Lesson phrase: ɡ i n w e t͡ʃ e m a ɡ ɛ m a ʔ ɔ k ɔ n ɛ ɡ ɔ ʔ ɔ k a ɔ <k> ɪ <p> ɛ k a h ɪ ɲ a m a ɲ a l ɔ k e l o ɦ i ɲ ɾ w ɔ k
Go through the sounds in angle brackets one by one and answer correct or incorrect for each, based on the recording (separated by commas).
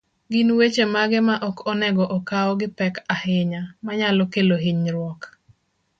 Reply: incorrect, correct